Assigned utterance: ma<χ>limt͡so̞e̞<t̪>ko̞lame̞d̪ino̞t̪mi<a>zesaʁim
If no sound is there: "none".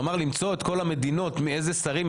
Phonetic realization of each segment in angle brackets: ʁ, t̪, e

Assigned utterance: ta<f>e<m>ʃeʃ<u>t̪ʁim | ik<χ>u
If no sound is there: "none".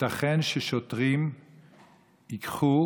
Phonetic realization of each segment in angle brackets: χ, n, o, χ

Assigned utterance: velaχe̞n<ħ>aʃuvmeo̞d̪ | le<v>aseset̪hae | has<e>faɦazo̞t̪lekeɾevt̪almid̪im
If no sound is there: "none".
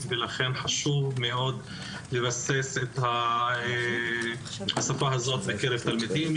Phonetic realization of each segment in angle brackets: ħ, v, a

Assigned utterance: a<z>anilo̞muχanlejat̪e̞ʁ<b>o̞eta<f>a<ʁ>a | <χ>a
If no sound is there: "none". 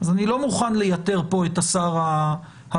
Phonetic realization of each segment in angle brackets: z, p, s, ʁ, h

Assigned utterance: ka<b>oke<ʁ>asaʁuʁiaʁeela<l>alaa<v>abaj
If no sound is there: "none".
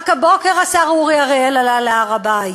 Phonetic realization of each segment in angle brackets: b, ʁ, l, ʁ

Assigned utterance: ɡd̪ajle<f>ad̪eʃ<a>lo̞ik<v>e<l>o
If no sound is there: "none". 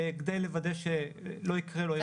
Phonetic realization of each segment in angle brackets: v, e, ʁ, l

